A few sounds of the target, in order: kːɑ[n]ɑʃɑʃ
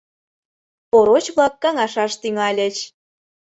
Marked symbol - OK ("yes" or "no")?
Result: no